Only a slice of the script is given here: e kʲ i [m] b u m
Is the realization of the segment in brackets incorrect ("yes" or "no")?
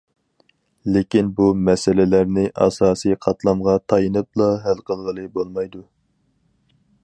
yes